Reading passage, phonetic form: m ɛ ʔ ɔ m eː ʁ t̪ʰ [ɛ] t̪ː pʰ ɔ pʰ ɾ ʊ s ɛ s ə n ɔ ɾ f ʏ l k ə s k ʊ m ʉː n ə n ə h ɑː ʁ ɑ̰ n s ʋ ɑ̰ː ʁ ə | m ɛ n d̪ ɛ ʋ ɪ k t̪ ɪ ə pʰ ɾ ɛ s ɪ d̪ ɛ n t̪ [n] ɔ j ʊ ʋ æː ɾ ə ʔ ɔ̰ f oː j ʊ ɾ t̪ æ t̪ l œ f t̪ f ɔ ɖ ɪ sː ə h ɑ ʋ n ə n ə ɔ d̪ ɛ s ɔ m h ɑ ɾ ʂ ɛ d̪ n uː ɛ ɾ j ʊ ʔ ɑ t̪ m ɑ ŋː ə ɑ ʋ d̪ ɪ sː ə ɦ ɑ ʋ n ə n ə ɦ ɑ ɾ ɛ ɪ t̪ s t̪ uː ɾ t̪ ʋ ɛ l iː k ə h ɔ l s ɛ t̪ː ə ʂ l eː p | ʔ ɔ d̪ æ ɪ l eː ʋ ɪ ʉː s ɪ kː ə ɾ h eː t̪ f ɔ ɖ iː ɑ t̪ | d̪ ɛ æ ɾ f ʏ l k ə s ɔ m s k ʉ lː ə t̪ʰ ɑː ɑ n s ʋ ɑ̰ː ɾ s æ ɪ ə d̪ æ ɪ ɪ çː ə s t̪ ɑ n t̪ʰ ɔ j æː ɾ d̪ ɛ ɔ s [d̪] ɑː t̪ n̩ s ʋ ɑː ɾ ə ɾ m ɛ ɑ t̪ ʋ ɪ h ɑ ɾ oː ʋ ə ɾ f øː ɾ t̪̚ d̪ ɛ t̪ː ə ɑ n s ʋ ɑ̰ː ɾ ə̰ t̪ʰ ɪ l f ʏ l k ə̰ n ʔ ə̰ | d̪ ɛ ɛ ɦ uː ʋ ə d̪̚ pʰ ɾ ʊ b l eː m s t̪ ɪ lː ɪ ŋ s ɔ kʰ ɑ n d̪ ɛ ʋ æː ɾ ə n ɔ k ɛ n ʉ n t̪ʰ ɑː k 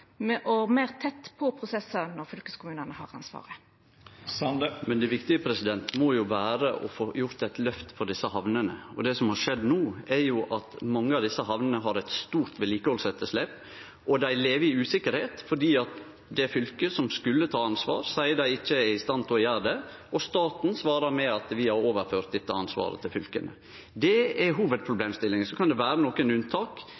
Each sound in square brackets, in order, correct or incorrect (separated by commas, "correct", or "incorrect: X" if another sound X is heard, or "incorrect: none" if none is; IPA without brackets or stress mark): correct, incorrect: m, incorrect: t̪